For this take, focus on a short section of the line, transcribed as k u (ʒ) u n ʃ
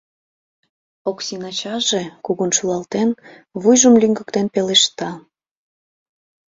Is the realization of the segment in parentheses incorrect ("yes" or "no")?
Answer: yes